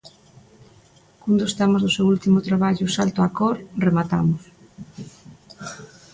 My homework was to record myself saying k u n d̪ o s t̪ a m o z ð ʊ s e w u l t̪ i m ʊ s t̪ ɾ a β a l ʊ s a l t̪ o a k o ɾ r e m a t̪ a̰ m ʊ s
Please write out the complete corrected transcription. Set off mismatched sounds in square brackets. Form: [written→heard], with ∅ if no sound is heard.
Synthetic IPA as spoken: k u n d̪ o s t̪ a m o z ð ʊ s e w u l t̪ i m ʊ [s→∅] t̪ ɾ a β a [l→ʎ] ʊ s a l t̪ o a k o ɾ r e m a t̪ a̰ m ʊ s